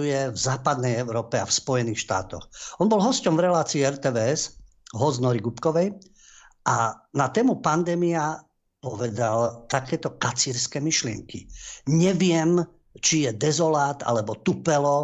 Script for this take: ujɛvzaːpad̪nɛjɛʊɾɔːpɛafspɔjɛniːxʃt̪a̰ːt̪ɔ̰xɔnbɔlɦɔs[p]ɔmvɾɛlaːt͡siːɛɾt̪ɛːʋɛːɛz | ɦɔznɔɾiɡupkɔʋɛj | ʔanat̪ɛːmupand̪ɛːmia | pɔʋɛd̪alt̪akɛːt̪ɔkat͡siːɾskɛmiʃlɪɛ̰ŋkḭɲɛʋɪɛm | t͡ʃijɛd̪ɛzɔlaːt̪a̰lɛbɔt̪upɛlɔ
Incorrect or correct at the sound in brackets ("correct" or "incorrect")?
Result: incorrect